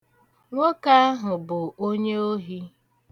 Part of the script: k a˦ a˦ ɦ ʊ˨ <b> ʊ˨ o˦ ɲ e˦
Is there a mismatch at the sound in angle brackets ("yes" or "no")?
no